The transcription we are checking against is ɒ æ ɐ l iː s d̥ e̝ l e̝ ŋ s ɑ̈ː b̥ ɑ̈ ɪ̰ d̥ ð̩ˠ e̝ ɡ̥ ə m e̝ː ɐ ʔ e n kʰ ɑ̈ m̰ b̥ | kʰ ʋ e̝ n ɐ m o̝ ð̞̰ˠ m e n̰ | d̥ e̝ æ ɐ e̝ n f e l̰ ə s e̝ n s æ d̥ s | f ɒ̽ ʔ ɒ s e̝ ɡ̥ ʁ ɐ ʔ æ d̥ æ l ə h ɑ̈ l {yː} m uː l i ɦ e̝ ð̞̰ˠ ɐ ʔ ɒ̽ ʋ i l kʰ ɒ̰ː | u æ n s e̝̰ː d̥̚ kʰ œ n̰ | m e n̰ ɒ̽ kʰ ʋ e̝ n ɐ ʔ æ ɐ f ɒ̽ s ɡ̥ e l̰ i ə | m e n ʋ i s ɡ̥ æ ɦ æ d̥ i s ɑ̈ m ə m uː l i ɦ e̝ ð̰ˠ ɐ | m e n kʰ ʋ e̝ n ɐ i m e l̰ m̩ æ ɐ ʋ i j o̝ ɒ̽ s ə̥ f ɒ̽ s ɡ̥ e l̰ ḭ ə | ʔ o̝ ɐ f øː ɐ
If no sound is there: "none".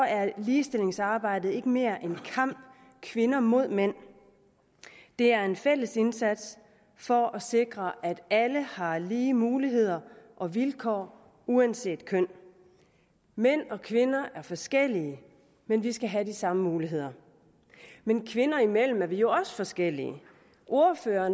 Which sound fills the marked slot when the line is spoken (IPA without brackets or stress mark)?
iː